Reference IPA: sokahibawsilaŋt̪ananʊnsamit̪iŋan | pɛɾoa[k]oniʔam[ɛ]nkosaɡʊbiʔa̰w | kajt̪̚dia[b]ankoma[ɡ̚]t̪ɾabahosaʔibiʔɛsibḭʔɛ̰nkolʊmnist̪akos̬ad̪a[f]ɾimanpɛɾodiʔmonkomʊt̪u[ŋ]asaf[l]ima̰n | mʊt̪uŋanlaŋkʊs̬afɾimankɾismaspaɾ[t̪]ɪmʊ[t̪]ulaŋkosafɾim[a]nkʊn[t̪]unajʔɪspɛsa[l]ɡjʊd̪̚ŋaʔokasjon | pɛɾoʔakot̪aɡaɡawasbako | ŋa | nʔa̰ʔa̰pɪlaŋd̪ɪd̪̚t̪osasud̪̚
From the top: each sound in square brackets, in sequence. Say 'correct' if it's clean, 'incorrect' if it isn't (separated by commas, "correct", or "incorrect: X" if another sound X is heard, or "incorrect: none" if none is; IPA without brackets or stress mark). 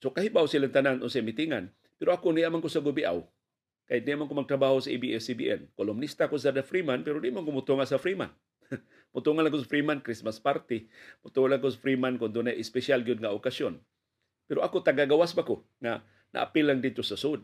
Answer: correct, incorrect: a, incorrect: m, correct, correct, correct, incorrect: ɾ, correct, correct, correct, incorrect: d̪, correct